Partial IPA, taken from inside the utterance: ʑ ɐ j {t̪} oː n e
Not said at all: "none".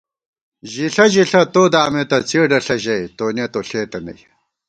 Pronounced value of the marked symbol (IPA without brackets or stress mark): t̪